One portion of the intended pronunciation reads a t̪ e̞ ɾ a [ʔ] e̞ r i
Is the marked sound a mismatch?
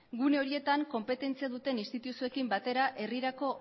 no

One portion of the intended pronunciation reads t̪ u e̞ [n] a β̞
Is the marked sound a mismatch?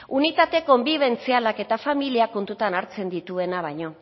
no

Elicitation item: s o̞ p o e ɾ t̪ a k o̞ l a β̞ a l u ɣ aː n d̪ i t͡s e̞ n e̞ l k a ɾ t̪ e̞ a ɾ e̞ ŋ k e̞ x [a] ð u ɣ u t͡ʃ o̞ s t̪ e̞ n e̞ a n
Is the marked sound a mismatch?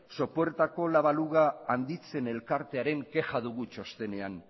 no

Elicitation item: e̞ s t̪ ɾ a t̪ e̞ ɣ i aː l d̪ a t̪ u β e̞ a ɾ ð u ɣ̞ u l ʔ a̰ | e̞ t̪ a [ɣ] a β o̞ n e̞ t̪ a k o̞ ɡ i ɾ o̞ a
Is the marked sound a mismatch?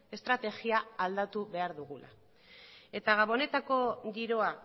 no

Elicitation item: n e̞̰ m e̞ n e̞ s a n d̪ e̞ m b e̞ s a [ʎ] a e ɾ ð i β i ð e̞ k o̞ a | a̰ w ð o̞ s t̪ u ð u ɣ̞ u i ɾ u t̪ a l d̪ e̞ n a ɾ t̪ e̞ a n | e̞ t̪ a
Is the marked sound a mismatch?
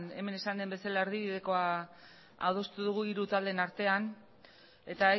yes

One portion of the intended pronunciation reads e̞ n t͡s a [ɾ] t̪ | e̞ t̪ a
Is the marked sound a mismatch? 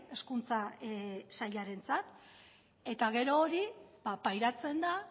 yes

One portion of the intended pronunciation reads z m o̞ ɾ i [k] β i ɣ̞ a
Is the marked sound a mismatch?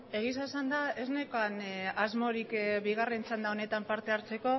no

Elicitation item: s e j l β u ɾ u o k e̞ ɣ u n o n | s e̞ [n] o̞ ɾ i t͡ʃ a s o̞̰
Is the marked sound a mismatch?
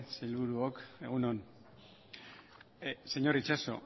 yes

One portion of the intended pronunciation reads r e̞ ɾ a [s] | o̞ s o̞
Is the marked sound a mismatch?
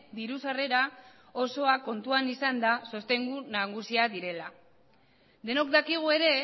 yes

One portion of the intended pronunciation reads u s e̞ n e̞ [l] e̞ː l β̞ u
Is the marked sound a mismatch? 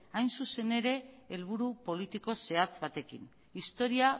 yes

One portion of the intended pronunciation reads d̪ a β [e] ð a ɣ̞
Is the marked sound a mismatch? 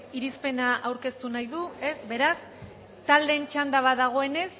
yes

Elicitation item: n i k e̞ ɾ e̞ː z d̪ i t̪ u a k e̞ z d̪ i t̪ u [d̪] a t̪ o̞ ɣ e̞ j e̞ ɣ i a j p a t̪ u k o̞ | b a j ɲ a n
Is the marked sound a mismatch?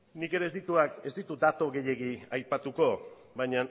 no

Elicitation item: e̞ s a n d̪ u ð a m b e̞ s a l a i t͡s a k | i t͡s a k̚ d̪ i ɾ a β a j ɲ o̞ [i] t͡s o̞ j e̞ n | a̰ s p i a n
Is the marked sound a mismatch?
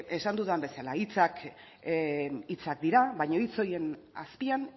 no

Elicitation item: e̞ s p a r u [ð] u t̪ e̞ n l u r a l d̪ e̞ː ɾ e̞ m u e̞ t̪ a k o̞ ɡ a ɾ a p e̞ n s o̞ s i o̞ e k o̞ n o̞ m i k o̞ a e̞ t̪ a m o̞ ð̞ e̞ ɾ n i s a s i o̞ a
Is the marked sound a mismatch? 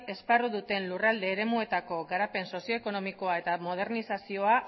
no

